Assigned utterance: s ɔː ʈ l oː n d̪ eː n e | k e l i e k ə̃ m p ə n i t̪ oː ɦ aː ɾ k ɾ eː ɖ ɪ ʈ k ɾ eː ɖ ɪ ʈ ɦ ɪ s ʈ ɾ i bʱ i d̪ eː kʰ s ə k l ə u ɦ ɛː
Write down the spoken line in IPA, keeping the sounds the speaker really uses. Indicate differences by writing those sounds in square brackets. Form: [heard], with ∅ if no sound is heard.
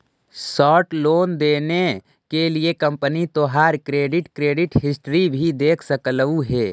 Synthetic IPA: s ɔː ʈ l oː n d̪ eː n e | k e l i e k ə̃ m p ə n i t̪ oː ɦ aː ɾ k ɾ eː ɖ ɪ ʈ k ɾ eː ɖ ɪ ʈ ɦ ɪ s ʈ ɾ i bʱ i d̪ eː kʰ s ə k l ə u ɦ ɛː